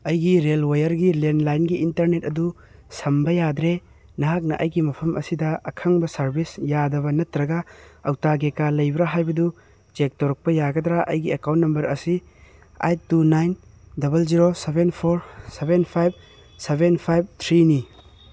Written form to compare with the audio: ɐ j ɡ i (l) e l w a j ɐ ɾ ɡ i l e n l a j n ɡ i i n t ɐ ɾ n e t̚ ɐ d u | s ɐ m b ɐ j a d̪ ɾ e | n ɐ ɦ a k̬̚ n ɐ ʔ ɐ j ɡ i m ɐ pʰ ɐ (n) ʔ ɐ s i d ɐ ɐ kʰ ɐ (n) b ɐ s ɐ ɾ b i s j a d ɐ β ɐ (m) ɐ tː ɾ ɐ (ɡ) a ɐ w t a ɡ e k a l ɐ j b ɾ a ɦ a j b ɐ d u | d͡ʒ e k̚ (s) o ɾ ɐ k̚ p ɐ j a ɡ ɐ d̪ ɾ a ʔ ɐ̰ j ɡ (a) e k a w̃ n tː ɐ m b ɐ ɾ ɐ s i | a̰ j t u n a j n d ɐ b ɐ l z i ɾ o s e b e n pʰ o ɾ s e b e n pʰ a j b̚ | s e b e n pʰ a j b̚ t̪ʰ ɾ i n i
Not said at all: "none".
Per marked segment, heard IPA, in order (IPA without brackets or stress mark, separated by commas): ɾ, m, ŋ, n, ɡ, t, i